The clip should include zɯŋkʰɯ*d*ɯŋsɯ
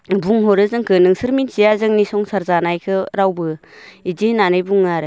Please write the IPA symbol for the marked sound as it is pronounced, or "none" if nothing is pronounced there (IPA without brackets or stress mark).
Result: n